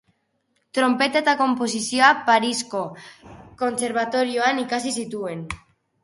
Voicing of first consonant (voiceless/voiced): voiceless